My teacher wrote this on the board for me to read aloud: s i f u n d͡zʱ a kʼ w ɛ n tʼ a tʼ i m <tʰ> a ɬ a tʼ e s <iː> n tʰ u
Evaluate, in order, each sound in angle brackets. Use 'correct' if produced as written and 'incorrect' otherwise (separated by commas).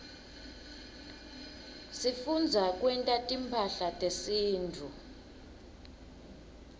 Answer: incorrect, correct